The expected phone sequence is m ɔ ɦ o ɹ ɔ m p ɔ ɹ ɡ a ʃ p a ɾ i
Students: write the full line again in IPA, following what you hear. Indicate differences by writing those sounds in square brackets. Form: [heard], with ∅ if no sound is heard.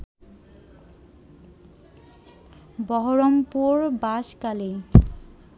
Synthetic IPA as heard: [b] ɔ ɦ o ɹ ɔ m p [u] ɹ [b] a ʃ [k] a [l] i